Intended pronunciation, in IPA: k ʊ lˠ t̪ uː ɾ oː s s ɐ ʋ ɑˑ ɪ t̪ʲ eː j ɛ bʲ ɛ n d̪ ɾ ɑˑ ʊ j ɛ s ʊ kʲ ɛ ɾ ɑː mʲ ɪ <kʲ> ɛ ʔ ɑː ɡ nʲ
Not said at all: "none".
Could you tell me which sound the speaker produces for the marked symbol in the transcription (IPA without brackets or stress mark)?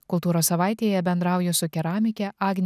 kʲ